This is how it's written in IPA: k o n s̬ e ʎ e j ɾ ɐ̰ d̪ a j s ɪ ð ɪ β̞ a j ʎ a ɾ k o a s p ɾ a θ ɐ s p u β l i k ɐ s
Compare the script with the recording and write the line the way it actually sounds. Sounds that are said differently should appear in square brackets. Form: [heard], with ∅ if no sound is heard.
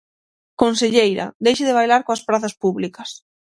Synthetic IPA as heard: k o n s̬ e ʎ e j ɾ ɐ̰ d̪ [e] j [ʃ] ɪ ð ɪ β̞ a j [l] a ɾ k o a s p ɾ a θ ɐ s p u β l i k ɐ s